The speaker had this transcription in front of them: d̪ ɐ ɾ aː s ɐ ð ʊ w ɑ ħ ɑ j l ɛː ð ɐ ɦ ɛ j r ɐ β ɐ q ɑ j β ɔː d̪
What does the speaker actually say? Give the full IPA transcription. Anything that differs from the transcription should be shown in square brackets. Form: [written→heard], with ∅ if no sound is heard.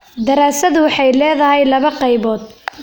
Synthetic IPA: d̪ ɐ ɾ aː s ɐ ð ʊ w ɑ ħ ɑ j l ɛː ð ɐ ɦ ɛ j [r→l] ɐ β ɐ q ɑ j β ɔː d̪

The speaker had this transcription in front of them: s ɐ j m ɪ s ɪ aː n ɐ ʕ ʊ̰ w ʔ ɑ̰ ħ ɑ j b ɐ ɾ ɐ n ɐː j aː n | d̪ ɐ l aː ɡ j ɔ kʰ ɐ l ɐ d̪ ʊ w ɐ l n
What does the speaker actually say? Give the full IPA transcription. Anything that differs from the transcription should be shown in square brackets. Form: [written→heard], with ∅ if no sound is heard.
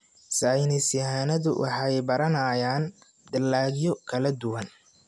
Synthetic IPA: s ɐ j [m→n] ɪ s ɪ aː n ɐ [ʕ→ð] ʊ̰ w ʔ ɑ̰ ħ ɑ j b ɐ ɾ ɐ n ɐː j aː n | d̪ ɐ l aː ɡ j ɔ kʰ ɐ l ɐ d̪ ʊ w ɐ [l→∅] n

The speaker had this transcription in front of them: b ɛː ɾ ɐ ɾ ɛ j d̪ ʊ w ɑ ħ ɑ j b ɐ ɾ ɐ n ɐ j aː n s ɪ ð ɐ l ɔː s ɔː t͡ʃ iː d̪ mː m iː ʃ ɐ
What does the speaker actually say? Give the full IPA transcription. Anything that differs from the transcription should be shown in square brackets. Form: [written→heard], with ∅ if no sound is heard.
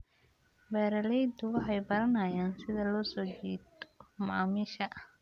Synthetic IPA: b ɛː ɾ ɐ [ɾ→l] ɛ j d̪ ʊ w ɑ ħ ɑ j b ɐ ɾ ɐ n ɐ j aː n s ɪ ð ɐ l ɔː s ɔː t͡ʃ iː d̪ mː m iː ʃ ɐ

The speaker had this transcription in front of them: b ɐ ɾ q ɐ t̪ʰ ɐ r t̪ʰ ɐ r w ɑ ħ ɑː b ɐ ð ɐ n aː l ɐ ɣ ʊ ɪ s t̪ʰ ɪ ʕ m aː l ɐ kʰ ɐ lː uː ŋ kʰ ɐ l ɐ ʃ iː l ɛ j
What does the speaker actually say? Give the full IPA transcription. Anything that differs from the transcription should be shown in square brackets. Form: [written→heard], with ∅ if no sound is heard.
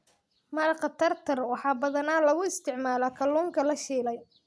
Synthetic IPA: [b→m] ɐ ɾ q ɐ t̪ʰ ɐ r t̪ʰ ɐ r w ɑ ħ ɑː b ɐ ð ɐ n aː l ɐ ɣ ʊ ɪ s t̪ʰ ɪ ʕ m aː l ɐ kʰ ɐ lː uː ŋ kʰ ɐ l ɐ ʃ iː l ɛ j

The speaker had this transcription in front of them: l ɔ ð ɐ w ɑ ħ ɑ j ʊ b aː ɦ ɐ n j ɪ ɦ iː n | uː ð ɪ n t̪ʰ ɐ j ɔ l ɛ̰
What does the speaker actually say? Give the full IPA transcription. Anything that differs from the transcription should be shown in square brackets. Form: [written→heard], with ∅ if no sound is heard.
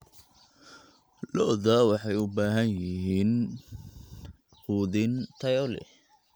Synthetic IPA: l ɔ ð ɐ w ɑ ħ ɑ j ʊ b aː ɦ ɐ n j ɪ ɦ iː n | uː ð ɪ n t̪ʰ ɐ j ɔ l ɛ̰

